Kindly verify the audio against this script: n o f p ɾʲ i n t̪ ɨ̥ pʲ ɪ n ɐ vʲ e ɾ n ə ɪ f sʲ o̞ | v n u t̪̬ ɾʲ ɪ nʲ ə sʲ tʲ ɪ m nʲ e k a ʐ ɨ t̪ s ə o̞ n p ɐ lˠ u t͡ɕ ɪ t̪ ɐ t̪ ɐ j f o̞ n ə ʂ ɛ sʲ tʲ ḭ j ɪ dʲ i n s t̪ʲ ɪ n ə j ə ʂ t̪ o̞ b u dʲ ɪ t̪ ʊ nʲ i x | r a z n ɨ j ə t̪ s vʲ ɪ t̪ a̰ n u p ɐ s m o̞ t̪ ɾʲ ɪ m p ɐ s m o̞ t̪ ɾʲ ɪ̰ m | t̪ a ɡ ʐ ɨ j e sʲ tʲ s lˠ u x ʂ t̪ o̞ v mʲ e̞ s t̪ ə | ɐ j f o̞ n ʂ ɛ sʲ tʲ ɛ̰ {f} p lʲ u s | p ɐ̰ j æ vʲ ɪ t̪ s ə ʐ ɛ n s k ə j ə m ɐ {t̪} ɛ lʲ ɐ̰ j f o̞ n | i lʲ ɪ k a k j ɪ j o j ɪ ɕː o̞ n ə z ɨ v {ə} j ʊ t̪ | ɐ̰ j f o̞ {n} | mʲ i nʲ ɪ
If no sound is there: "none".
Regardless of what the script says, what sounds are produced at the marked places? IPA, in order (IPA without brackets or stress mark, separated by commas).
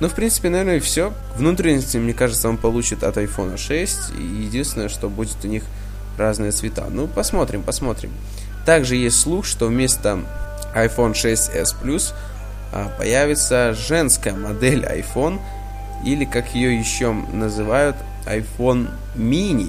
s, d̪, a, n